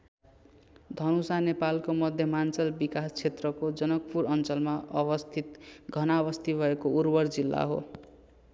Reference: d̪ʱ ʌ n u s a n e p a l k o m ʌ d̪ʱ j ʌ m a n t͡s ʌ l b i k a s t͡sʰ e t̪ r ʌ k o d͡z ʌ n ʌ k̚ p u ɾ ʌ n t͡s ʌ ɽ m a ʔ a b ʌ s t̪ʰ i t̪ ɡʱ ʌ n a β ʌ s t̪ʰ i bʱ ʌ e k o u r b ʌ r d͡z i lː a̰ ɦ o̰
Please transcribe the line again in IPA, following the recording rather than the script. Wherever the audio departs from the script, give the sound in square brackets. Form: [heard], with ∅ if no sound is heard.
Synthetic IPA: d̪ʱ ʌ n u s a n e p a l k o m ʌ d̪ʱ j ʌ m a n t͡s ʌ l b i k a s t͡sʰ e t̪ r ʌ k o d͡z ʌ n ʌ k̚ p u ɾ ʌ n t͡s ʌ [l] m a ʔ [ʌ] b ʌ s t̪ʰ i t̪ ɡʱ ʌ n a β ʌ s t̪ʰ i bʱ ʌ e k o u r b ʌ r d͡z i lː a̰ ɦ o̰